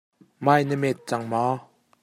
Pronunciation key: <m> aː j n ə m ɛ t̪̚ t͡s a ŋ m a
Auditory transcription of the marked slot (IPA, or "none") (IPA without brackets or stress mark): m